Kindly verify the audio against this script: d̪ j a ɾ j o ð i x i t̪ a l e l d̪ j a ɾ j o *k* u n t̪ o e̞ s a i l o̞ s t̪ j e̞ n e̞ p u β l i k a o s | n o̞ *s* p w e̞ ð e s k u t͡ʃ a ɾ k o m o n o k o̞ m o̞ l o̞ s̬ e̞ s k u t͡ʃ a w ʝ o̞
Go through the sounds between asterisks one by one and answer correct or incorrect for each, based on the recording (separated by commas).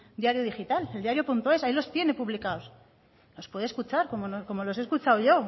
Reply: incorrect, correct